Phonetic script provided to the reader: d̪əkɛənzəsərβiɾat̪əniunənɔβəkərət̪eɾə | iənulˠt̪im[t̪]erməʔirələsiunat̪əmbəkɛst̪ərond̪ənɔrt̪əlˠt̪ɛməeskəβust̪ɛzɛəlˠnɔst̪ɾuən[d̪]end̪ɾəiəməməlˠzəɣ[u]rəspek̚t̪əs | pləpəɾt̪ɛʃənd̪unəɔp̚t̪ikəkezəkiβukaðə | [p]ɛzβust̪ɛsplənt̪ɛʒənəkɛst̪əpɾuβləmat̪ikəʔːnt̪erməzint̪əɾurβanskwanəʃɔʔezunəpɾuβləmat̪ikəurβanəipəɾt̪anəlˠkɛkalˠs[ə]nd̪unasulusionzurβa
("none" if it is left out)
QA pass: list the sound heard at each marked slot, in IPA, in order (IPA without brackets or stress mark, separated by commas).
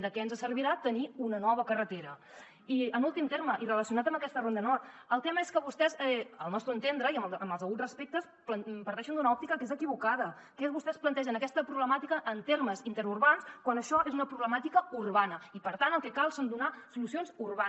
t̪, t̪, u, k, ə